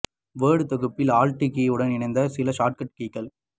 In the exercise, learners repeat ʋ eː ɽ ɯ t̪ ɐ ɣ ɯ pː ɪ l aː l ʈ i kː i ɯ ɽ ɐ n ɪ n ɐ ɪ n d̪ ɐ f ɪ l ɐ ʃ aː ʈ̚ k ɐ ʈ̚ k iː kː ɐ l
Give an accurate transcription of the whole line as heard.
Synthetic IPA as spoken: ʋ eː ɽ ɯ t̪ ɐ ɣ ɯ pː ɪ l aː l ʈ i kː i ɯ ɽ ɐ n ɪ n ɐ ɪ n d̪ ɐ s ɪ l ɐ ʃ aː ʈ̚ k ɐ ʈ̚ k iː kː ɐ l